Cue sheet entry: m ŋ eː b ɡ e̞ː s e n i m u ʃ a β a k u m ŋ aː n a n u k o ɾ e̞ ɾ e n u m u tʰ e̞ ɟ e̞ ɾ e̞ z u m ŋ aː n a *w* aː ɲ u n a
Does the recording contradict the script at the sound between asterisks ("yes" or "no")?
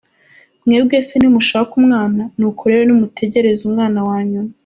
no